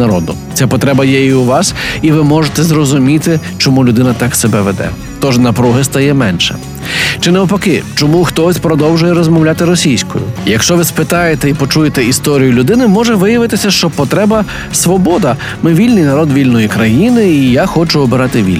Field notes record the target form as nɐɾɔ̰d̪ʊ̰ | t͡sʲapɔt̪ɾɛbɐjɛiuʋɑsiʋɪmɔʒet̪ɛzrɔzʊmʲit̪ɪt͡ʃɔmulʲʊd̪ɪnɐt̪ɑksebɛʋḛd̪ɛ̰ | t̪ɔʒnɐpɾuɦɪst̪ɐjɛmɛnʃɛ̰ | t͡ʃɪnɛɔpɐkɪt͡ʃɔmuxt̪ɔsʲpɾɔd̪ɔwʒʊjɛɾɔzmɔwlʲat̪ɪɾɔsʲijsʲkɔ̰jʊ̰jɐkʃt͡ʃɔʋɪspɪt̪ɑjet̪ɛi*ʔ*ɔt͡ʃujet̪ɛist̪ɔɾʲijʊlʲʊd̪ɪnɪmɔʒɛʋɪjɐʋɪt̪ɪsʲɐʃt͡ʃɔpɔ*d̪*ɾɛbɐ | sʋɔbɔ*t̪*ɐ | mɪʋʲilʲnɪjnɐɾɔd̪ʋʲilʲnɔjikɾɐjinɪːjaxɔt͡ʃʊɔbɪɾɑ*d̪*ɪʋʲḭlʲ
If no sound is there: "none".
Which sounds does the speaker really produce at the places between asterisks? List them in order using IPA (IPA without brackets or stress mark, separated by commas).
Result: p, t̪, d̪, t̪